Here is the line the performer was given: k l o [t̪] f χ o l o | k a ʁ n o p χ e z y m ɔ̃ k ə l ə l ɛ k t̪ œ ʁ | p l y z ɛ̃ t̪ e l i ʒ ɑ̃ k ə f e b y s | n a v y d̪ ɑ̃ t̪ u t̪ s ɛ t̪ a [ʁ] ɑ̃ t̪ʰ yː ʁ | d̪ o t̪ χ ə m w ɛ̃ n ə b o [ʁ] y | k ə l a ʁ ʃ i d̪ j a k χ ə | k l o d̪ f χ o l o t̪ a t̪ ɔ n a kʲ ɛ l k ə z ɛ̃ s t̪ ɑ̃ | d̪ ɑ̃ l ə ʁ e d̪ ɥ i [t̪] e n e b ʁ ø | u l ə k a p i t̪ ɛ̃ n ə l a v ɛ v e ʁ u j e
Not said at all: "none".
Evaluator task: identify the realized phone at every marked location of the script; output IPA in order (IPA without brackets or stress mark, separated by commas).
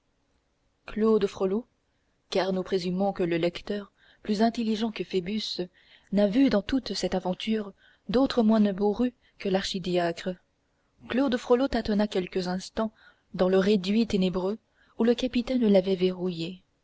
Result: d̪, v, ʁ, t̪